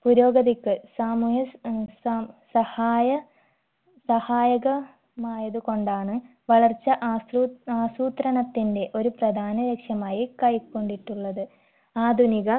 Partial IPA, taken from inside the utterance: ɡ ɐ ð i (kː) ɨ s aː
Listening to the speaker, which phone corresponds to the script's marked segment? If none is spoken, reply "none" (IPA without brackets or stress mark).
kː